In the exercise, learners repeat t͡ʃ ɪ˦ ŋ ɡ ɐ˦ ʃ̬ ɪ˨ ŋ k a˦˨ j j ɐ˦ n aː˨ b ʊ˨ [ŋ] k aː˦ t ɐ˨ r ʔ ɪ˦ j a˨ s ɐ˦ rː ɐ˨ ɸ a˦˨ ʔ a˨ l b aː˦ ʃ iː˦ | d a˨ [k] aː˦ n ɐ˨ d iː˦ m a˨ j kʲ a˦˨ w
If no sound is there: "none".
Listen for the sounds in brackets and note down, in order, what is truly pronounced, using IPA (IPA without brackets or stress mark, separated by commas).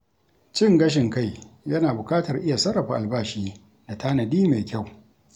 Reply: none, t